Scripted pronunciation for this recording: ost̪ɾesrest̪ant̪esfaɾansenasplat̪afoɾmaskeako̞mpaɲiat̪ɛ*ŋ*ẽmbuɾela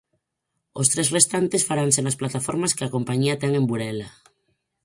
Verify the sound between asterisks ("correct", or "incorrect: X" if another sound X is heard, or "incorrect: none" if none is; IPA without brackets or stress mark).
correct